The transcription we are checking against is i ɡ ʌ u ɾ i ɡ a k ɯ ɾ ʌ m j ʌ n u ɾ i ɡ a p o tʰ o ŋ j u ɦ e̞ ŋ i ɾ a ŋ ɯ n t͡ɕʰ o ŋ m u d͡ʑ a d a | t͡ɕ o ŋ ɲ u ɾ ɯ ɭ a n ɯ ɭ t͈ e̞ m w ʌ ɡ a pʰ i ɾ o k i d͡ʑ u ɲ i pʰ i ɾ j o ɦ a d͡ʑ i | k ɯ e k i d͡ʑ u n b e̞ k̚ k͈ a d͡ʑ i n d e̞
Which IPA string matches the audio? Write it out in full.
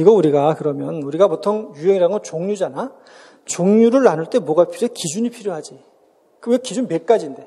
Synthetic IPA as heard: i ɡ ʌ u ɾ i ɡ a k ɯ ɾ ʌ m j ʌ n u ɾ i ɡ a p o tʰ o ŋ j u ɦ e̞ ŋ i ɾ a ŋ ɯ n t͡ɕ o ŋ ɲ u d͡ʑ a n a | t͡ɕ o ŋ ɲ u ɾ ɯ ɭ a n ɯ ɭ t͈ e̞ m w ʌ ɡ a pʰ i ɾ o k i d͡ʑ u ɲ i pʰ i ɾ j o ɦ a d͡ʑ i | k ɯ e k i d͡ʑ u n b e̞ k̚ k͈ a d͡ʑ i n d e̞